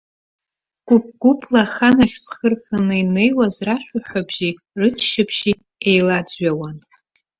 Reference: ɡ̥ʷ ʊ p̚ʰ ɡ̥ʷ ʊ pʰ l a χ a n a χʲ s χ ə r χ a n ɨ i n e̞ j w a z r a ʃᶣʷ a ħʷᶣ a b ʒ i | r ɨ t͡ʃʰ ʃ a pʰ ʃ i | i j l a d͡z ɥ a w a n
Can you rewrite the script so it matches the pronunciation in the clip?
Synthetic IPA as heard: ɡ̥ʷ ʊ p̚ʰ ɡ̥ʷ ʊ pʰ l a χ a n a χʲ s χ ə r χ a n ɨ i n e̞ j w a z r a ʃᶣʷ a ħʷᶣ a b ʒ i | r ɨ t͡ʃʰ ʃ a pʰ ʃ i | e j l a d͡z ɥ a w a n